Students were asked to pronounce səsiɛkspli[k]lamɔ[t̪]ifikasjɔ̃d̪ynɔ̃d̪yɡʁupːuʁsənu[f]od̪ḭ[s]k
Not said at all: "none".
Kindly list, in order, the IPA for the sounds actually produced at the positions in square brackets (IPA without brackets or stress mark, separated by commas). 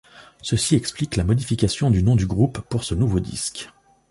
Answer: k, d̪, v, s